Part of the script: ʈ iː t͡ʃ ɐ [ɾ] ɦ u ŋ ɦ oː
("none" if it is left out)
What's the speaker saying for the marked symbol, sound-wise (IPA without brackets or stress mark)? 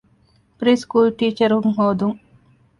ɾ